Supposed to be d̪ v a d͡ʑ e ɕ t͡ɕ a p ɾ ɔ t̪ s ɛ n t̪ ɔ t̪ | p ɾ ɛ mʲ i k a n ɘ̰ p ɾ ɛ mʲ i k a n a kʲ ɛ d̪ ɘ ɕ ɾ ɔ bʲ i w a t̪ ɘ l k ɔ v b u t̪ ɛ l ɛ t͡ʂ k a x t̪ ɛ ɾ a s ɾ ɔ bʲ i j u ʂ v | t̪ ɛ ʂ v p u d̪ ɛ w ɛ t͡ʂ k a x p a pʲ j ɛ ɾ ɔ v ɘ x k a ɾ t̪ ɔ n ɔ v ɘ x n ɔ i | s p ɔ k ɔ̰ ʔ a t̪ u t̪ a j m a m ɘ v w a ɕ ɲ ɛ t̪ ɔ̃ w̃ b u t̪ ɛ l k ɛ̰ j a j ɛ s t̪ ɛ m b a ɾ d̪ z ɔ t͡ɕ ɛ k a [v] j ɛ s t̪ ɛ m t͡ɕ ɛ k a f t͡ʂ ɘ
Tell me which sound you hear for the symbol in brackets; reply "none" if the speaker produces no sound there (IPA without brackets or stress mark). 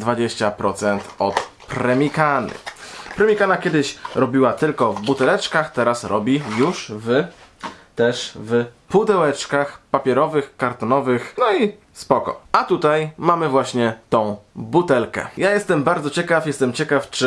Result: f